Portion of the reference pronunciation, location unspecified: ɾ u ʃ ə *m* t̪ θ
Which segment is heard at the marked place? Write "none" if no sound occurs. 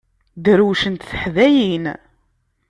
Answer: n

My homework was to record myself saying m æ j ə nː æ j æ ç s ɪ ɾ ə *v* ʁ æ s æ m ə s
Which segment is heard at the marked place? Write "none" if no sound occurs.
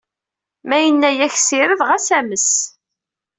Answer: ð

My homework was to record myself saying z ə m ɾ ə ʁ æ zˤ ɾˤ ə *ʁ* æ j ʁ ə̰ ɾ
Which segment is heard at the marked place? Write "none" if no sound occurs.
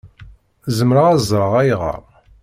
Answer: ʁ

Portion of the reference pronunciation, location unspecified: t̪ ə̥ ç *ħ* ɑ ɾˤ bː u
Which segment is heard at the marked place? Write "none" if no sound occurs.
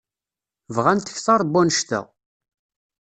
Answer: θ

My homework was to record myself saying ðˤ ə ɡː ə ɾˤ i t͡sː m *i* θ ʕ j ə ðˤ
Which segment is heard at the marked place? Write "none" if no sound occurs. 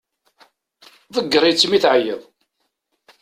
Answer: i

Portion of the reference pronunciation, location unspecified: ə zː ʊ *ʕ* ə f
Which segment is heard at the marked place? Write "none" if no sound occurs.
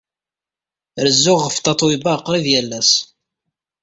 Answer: ʁ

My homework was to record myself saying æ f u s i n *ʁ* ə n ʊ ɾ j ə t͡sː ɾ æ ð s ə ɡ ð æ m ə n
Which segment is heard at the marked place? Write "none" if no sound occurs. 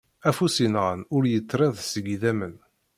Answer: ʁ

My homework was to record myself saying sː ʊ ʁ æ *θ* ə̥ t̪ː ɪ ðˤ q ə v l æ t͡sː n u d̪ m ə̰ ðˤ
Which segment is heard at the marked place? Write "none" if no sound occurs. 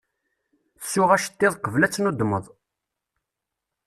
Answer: ʃ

